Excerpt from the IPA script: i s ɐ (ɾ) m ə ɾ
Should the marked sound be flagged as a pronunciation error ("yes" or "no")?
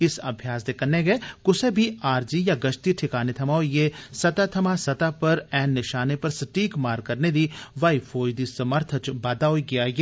yes